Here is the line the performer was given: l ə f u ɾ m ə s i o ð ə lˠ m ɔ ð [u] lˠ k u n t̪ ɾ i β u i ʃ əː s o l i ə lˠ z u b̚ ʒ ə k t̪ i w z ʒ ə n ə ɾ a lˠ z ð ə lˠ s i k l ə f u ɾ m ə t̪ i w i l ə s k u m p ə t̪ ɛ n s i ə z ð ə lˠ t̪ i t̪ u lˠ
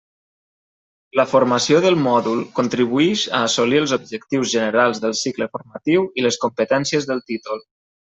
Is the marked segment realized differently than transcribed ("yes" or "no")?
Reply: no